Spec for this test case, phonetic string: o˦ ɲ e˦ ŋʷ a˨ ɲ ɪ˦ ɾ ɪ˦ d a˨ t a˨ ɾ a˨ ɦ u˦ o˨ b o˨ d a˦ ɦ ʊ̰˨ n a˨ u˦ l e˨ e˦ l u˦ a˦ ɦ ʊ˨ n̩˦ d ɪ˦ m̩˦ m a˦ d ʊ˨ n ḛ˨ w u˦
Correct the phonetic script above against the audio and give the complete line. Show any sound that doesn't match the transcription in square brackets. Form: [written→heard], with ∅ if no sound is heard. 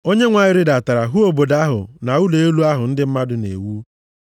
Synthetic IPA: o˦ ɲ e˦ ŋʷ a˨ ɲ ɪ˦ ɾ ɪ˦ d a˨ t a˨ ɾ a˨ ɦ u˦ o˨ b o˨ d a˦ ɦ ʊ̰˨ n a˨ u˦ l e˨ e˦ l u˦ a˦ ɦ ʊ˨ n̩˦ d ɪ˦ m̩˦ m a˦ d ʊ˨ n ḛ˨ w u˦

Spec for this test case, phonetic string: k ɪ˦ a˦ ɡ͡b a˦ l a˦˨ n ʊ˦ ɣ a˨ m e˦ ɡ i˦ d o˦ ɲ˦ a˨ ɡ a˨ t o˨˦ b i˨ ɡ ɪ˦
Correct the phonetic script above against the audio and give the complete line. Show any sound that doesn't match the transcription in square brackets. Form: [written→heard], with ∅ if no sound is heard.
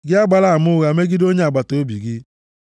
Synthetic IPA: [k→ɡ] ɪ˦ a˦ ɡ͡b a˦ l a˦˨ [n→m] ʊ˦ ɣ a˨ m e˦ ɡ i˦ d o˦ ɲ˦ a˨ [ɡ→ɡ͡b] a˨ t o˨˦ b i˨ ɡ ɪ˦

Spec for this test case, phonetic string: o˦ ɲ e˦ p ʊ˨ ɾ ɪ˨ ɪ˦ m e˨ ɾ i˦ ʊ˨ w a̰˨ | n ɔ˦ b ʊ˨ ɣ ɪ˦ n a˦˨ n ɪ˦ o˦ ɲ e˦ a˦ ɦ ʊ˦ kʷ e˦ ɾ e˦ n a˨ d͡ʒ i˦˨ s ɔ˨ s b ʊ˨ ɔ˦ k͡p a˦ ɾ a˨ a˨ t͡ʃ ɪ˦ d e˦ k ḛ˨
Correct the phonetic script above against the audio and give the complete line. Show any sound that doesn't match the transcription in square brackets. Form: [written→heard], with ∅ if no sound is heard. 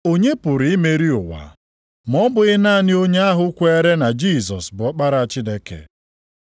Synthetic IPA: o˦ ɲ e˦ p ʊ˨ ɾ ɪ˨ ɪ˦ m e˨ ɾ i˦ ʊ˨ w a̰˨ | [n→m] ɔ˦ b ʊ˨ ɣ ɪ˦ n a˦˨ n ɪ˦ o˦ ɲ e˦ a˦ ɦ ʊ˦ kʷ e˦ ɾ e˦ n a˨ d͡ʒ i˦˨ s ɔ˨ s b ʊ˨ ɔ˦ k͡p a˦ ɾ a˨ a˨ t͡ʃ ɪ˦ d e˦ k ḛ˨

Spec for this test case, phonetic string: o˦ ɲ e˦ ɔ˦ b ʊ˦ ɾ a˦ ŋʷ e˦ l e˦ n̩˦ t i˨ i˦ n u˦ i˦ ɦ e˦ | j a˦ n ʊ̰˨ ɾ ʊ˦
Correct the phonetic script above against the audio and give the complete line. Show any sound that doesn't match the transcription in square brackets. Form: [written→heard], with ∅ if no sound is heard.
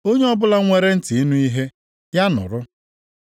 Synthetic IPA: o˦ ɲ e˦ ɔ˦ b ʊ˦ [ɾ→l] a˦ ŋʷ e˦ [l→ɾ] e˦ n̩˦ t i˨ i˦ n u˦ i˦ ɦ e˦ | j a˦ n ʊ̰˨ ɾ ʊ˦

